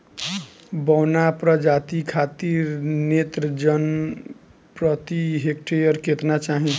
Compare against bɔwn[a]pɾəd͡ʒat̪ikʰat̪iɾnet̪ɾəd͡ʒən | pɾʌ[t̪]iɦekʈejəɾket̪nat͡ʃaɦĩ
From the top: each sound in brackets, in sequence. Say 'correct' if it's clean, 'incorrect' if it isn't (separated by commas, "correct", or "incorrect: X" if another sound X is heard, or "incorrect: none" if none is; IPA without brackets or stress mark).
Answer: correct, correct